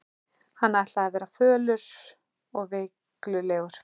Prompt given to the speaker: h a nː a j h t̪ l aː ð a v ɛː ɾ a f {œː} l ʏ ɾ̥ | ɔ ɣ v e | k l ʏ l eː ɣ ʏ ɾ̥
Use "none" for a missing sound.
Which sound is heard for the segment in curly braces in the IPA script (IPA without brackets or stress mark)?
œː